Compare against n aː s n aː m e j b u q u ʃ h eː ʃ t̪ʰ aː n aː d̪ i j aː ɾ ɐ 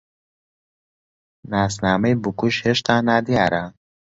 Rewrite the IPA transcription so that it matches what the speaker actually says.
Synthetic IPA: n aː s n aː m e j b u k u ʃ h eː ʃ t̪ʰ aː n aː d̪ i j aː ɾ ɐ